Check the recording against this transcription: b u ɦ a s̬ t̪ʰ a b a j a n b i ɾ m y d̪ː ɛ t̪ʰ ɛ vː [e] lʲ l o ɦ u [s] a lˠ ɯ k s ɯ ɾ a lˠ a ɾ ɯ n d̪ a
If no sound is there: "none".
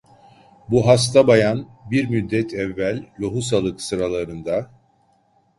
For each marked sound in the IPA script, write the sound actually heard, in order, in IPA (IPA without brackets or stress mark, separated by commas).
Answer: æ, s